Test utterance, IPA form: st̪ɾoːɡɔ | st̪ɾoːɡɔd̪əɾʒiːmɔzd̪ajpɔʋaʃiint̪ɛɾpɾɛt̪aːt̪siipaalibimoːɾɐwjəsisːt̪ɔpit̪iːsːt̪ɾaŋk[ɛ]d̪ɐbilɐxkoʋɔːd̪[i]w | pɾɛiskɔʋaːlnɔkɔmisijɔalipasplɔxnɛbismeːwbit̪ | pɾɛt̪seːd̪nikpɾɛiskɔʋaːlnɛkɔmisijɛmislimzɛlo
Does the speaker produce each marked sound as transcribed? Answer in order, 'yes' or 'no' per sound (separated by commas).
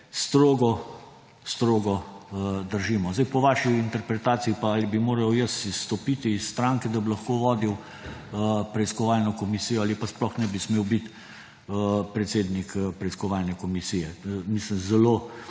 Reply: yes, yes